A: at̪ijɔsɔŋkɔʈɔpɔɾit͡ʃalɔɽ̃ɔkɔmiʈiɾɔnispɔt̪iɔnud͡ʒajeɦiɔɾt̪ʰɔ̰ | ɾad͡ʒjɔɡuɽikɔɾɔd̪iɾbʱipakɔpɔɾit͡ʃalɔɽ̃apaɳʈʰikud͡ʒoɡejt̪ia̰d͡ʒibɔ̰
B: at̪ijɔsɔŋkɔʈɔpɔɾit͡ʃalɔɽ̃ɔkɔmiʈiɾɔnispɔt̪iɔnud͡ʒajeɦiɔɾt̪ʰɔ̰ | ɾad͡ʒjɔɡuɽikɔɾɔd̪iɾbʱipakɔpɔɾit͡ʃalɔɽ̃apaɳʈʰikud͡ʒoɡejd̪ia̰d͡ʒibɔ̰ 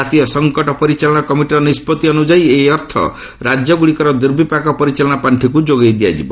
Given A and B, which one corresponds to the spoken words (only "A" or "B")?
B